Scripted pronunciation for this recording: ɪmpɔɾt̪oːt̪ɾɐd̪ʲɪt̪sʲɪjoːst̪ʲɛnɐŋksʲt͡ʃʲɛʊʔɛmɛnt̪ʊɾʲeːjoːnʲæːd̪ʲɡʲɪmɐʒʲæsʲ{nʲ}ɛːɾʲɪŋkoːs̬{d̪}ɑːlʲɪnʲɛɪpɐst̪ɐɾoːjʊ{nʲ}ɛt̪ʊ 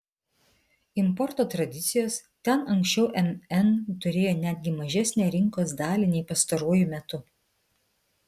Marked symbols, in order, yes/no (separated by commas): yes, yes, no